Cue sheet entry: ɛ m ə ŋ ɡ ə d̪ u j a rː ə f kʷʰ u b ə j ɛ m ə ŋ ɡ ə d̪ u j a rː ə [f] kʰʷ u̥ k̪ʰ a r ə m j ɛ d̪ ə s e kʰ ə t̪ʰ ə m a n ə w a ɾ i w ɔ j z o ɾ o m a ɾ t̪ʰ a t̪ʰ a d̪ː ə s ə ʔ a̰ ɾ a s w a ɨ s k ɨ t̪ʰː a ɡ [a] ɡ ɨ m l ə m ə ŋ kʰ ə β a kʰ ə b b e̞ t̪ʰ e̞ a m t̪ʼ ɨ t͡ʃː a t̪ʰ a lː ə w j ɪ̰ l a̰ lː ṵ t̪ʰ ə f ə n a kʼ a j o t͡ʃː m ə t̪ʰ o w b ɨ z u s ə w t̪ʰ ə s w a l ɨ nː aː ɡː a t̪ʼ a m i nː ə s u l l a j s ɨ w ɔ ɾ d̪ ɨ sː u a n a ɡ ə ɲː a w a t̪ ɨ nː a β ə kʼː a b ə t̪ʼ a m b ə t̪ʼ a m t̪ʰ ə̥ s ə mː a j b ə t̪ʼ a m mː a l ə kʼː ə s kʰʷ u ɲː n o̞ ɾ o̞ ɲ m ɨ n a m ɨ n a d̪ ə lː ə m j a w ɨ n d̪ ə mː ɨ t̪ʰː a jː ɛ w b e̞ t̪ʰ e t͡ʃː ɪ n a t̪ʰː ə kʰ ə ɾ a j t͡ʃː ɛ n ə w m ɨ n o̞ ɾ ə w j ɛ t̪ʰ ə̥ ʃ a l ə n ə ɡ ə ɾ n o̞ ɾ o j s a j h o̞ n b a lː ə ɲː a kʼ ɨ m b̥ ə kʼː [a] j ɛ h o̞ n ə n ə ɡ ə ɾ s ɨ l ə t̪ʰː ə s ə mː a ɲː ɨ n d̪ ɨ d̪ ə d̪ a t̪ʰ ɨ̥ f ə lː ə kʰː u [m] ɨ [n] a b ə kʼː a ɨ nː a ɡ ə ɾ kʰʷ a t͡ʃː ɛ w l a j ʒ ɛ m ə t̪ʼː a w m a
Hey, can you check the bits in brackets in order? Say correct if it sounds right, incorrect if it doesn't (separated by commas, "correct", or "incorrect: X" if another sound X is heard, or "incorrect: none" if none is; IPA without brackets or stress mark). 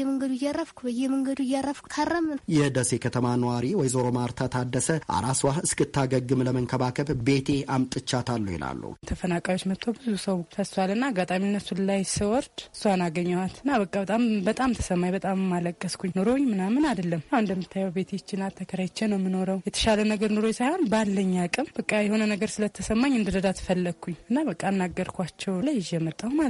correct, incorrect: ə, correct, incorrect: ɲ, incorrect: nː